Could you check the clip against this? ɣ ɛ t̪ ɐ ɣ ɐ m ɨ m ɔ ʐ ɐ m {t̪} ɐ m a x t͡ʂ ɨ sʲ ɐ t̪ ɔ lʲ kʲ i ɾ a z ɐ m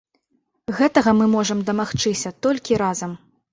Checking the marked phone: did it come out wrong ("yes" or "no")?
yes